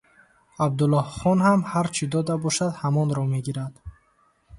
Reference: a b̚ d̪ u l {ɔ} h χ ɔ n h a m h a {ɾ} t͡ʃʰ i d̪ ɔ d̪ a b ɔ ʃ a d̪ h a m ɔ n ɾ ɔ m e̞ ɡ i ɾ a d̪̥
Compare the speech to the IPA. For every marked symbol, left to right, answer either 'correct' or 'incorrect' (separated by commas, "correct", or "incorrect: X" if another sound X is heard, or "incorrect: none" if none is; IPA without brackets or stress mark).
correct, correct